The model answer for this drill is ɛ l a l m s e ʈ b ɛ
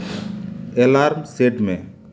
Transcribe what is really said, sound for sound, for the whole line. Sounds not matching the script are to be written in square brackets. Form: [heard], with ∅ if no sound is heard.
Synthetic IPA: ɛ l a [ɾ] m s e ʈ [m] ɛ